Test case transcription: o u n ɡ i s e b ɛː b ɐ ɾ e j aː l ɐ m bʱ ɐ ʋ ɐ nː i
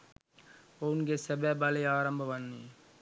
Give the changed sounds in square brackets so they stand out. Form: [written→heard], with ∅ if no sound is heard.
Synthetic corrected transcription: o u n ɡ [i→e] s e b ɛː b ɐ [ɾ→l] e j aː [l→ɾ] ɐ m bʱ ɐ ʋ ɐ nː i